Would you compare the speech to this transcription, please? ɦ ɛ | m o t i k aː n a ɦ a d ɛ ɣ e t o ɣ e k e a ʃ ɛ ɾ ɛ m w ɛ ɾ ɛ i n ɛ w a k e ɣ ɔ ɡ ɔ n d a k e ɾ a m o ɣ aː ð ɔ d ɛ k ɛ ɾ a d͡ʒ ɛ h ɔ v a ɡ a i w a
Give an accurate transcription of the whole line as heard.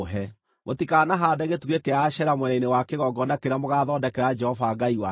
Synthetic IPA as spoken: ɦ ɛ | m o t i k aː n a ɦ a d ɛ ɣ e t u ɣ e k e a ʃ ɛ ɾ a m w ɛ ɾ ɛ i n e w a k e ɣ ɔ ɡ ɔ n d a k e ɾ a m o ɣ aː ð ɔ d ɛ k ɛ ɾ a d͡ʒ ɛ h ɔ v a ɡ a i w a